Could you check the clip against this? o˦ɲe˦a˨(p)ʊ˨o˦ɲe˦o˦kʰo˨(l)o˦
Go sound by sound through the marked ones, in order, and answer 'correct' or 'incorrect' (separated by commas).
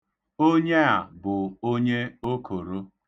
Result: incorrect, incorrect